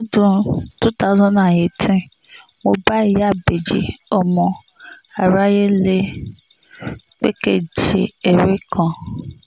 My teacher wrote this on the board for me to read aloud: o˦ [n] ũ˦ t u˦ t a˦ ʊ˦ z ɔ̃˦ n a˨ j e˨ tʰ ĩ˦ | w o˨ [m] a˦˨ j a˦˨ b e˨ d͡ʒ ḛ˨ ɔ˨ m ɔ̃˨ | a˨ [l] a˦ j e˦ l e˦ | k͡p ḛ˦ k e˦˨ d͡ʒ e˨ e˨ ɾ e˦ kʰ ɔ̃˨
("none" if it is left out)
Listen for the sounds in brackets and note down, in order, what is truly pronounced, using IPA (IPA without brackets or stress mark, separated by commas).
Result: d, b, ɾ